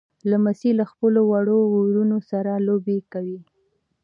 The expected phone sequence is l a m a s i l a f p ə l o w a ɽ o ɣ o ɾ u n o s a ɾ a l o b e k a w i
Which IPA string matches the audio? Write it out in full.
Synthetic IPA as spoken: l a m a s i l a x p ə l o w a ɽ o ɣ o ɾ u n o s a ɾ a l o b e k a w i